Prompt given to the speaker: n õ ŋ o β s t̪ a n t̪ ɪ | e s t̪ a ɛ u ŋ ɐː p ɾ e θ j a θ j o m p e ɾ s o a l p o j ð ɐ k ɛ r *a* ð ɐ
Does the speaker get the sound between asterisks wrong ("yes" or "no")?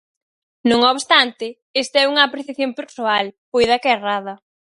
no